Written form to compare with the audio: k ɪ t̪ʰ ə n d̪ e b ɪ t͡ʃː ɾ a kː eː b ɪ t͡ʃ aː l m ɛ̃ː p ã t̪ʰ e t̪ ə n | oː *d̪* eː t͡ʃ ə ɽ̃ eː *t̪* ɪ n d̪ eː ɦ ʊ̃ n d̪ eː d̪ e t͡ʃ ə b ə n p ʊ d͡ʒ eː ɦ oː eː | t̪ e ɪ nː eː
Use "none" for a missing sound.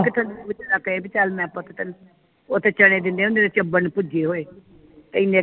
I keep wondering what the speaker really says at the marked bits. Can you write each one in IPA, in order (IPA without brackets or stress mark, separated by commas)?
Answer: t̪, d̪